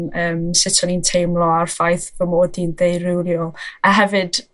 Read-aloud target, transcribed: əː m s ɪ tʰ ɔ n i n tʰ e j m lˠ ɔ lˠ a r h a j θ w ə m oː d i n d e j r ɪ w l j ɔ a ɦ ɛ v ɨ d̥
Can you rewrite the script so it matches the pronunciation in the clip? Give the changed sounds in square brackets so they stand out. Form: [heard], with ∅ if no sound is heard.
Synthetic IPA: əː m s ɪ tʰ ɔ n i n tʰ e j m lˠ ɔ [∅] a r [f] a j θ [v] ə m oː d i n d e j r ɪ w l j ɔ a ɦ ɛ v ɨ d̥